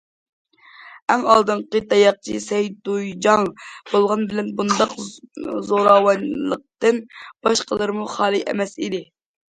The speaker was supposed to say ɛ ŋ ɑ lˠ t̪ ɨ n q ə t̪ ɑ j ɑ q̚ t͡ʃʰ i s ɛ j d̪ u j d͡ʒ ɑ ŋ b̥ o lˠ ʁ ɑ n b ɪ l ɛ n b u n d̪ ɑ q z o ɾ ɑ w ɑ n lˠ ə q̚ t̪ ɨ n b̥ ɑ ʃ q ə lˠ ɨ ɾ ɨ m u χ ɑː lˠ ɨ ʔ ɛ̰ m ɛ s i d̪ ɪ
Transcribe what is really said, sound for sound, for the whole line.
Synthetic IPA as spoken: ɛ ŋ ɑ lˠ d̪ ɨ n q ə t̪ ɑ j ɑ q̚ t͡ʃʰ i s ɛ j d̪ u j d͡ʒ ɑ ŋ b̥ o lˠ ʁ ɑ n b ɪ l ɛ n b u n d̪ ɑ q z o ɾ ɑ w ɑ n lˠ ə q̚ t̪ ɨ n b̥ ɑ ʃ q ə lˠ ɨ ɾ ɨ m u χ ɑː lˠ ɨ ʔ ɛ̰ m ɛ s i d̪ ɪ